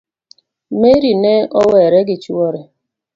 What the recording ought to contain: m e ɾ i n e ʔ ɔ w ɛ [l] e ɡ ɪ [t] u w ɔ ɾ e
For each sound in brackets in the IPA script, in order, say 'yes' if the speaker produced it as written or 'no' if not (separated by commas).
no, no